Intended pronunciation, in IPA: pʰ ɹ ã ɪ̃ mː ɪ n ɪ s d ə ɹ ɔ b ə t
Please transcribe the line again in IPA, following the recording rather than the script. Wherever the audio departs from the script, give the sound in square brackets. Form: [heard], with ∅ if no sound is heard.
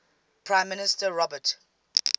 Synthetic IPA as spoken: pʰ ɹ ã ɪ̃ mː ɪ n ɪ s [t] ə ɹ ɔ b ə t